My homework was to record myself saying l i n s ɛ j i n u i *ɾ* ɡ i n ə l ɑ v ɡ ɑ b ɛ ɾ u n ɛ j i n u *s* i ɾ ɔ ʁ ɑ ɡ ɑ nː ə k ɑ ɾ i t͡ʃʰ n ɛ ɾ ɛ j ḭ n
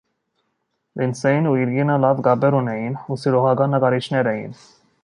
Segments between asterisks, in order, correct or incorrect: correct, correct

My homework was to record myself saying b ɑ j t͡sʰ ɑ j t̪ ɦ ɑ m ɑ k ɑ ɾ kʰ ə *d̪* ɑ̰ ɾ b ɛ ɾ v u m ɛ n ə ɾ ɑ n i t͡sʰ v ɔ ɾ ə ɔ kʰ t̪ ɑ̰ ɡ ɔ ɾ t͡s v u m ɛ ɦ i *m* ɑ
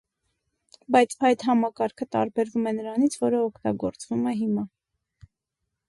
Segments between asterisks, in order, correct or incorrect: incorrect, correct

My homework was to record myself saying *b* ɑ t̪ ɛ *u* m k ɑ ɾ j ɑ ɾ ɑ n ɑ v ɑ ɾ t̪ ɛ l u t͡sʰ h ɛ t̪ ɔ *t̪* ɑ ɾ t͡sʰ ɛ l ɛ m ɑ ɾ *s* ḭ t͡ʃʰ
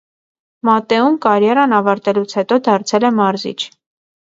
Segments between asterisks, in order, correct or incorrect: incorrect, correct, incorrect, incorrect

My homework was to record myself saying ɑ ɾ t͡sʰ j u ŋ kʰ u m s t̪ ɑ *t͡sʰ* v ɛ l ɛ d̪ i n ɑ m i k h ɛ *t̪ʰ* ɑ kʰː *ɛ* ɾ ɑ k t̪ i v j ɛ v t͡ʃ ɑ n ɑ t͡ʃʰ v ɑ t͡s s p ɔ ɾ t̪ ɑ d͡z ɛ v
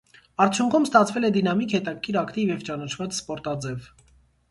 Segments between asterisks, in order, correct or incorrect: correct, incorrect, incorrect

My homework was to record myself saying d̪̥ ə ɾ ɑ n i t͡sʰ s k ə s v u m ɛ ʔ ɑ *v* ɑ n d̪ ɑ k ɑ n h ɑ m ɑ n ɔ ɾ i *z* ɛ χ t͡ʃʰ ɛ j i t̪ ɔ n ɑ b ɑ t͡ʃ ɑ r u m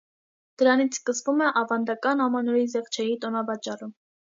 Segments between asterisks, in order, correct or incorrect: correct, correct

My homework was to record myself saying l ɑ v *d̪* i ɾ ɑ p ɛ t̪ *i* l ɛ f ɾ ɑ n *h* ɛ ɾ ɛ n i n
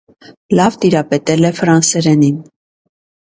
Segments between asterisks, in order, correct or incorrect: incorrect, incorrect, incorrect

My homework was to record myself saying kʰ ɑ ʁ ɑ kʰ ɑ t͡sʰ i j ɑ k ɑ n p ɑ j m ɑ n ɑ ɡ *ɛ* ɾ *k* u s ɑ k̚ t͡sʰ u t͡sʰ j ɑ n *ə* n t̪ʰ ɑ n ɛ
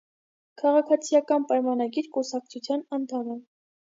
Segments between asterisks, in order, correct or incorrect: incorrect, correct, incorrect

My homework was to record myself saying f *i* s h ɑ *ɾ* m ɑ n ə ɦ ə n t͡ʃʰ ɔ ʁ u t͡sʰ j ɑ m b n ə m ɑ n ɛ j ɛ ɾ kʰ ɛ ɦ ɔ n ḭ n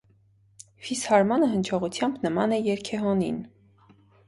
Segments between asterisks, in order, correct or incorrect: correct, correct

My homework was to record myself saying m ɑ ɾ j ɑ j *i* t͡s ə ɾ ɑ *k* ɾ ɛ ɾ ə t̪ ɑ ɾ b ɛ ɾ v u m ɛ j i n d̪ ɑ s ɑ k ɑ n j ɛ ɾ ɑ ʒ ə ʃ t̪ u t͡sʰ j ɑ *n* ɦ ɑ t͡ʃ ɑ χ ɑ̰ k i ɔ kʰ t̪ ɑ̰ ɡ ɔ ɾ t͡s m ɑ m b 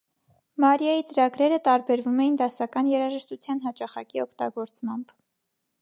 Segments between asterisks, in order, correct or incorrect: correct, incorrect, correct

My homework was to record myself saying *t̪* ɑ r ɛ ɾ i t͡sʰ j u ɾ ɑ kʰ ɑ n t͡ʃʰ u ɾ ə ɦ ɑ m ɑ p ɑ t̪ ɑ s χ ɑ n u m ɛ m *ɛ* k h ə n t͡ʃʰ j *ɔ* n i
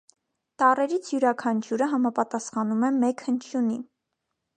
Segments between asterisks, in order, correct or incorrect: correct, correct, incorrect

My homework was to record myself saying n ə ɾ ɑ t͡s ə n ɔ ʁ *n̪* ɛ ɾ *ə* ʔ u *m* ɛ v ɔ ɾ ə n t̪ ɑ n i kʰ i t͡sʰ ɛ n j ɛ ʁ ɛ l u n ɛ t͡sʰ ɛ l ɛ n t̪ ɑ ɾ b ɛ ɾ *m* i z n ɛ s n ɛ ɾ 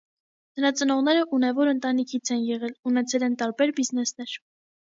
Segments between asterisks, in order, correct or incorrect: correct, correct, incorrect, incorrect

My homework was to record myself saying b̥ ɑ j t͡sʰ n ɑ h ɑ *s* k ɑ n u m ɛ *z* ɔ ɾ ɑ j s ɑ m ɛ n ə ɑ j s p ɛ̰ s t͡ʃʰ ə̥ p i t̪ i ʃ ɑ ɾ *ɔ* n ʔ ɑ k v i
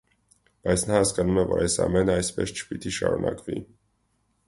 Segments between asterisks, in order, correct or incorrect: correct, incorrect, incorrect

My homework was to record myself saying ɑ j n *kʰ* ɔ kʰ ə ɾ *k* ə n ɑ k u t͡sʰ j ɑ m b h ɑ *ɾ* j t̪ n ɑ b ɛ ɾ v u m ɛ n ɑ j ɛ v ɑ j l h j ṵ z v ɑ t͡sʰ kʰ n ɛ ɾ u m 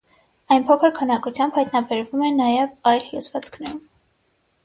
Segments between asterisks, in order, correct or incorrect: incorrect, incorrect, incorrect

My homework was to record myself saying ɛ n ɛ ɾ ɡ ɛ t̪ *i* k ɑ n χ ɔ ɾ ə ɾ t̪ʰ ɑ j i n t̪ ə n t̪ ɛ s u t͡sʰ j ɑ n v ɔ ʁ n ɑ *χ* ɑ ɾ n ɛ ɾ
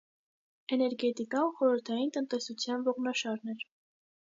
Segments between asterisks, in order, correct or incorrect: correct, incorrect

